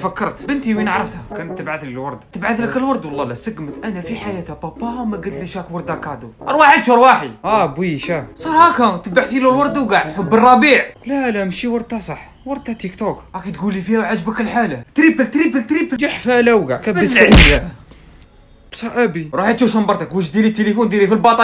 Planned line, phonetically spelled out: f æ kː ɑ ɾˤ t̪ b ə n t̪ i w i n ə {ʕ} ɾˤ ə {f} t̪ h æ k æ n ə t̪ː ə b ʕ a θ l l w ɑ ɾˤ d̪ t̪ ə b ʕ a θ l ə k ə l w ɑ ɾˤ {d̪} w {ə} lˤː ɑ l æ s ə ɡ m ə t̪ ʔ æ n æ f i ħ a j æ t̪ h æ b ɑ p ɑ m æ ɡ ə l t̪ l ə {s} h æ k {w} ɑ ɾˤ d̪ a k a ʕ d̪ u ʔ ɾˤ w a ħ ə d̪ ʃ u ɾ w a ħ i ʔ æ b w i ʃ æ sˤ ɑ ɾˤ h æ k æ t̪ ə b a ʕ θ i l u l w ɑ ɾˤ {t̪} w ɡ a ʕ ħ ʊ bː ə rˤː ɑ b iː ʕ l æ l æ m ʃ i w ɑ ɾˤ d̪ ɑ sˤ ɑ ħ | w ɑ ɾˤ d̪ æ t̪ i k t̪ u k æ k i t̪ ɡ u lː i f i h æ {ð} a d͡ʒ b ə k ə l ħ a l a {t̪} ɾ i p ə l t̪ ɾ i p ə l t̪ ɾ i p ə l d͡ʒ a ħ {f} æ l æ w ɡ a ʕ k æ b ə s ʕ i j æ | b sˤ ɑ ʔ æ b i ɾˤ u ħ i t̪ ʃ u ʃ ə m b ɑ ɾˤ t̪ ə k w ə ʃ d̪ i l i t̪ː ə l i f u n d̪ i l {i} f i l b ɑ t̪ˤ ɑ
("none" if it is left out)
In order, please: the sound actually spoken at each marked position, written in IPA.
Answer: ʕ, f, d̪, ɑ, ʃ, w, d̪, ʕ, t̪, f, i

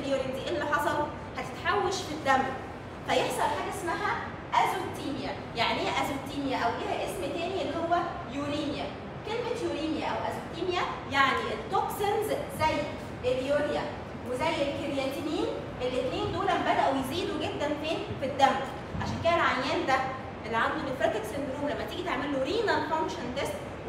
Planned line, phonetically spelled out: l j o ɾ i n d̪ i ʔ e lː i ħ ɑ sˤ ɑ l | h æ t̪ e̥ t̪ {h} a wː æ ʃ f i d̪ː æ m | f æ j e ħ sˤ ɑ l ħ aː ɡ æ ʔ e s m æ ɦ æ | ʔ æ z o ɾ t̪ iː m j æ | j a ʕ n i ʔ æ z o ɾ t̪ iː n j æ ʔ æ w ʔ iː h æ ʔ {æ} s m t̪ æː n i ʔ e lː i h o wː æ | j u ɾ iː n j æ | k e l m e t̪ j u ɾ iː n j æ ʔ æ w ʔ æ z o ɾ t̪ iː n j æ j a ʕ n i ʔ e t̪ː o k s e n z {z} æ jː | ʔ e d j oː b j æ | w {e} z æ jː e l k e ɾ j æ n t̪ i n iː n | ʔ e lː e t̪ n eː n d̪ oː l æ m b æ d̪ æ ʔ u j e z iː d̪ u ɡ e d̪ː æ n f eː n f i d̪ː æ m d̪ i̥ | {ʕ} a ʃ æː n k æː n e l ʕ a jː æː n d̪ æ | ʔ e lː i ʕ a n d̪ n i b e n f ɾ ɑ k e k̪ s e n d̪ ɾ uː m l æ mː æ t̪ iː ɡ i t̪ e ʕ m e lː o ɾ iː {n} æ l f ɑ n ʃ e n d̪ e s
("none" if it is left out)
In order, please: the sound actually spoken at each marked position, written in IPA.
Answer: ħ, e, z, e, ʕ, n

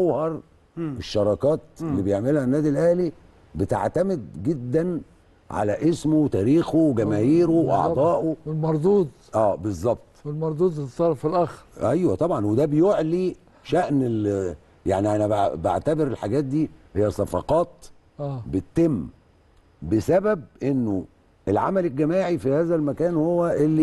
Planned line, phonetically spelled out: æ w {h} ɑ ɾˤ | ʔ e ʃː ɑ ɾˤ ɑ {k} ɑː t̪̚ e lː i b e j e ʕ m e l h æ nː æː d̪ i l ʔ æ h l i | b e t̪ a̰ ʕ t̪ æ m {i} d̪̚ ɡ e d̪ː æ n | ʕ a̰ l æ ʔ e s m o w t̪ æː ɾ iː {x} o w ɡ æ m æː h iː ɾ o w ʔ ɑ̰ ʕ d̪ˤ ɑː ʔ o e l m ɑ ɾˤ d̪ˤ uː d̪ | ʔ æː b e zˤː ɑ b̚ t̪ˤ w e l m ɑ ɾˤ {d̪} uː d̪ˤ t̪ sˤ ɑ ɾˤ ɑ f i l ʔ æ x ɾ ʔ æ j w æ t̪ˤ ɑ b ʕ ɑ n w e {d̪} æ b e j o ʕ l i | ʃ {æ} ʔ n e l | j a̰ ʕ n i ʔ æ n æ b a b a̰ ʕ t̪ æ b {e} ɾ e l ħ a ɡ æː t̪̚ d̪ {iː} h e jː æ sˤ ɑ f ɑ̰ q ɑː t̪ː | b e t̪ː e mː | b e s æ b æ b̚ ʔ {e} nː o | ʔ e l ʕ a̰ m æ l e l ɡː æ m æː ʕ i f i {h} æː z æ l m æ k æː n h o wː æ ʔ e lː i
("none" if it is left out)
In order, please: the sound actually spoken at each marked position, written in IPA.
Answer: h, k, e, x, d̪, d̪, æ, e, iː, e, h

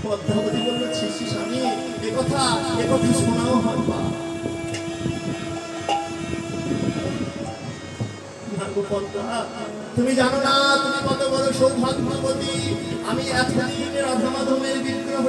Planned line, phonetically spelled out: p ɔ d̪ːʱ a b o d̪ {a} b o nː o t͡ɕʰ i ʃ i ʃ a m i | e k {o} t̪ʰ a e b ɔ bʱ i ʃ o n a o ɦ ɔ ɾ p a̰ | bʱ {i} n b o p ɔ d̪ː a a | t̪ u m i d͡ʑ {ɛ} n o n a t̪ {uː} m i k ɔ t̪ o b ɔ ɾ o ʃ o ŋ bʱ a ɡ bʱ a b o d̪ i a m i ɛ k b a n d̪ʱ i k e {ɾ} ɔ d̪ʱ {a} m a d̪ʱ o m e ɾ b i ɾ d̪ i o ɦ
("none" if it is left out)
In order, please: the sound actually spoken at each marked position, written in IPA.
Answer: i, ɔ, a, a, u, ɾ, a

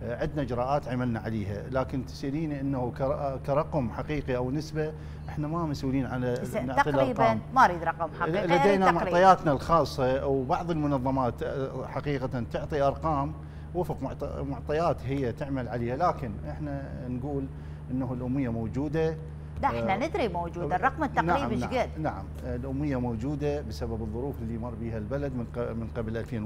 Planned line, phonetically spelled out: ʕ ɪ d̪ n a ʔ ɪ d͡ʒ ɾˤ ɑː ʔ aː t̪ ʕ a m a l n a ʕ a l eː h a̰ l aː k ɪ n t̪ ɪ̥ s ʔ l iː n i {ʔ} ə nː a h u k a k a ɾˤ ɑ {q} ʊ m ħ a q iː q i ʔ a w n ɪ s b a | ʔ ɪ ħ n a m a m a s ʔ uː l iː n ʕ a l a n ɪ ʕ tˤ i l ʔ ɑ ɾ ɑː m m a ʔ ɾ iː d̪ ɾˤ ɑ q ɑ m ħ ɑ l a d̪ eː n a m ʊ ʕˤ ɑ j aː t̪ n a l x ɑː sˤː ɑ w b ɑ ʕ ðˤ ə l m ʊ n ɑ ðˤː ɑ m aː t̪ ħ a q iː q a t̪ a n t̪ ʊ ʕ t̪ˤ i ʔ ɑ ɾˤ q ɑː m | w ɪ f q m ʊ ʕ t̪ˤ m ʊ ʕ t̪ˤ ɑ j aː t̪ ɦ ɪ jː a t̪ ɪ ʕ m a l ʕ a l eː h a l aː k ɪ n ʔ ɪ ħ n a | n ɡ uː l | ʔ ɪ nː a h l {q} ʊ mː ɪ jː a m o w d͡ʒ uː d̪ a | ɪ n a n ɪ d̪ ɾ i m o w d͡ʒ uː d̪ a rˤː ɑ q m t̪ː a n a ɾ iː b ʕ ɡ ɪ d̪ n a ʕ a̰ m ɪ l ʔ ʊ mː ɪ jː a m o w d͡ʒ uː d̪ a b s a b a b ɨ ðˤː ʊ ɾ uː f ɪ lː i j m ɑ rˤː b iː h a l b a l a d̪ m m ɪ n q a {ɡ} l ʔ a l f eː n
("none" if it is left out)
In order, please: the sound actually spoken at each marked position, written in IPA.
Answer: ʔ, q, ʔ, b

